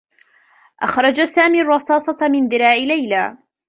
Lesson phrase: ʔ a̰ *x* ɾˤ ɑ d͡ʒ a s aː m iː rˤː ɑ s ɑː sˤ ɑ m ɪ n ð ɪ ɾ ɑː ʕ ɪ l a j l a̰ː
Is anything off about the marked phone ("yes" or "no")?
no